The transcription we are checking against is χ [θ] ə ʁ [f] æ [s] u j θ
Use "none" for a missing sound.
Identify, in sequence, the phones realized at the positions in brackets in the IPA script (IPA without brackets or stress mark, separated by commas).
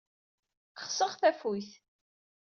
s, θ, f